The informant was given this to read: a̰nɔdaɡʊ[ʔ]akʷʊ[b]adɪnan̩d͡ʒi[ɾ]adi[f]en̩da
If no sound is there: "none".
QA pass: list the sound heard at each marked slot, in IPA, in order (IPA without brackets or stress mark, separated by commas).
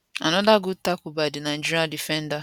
t, b, ɾ, f